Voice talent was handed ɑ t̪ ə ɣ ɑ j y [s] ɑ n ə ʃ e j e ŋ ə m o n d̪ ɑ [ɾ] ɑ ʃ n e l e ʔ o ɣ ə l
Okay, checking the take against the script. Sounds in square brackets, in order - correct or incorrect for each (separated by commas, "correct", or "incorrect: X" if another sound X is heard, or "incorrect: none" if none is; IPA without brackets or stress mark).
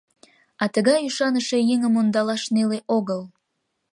incorrect: ʃ, incorrect: l